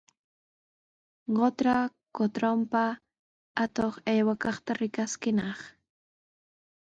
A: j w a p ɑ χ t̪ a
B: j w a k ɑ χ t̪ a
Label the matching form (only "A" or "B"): B